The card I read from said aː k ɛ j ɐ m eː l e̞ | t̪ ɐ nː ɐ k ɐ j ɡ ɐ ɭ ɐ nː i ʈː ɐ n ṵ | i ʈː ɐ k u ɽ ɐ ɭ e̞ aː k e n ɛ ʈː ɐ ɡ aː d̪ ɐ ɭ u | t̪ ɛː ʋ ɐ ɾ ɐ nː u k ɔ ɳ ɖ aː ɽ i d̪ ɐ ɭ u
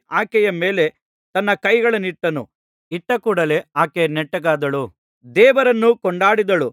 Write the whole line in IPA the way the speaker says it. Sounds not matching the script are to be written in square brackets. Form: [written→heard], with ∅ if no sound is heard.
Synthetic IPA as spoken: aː k ɛ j ɐ m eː l e̞ | t̪ ɐ nː ɐ k ɐ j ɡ ɐ ɭ ɐ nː i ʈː ɐ n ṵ | i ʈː ɐ k [u→uː] ɽ ɐ [ɭ→l] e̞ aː k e n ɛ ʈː ɐ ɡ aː d̪ ɐ ɭ u | [t̪→d̪] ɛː ʋ ɐ ɾ ɐ nː u k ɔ ɳ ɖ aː ɽ i d̪ ɐ ɭ u